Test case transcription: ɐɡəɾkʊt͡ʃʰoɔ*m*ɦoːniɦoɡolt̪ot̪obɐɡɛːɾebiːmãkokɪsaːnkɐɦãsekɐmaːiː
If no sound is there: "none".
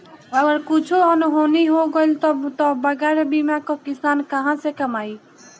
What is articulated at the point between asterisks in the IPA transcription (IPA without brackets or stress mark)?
n